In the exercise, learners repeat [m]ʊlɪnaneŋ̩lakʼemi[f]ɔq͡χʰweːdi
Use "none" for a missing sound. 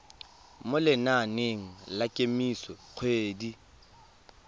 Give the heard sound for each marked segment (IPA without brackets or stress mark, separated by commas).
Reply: m, s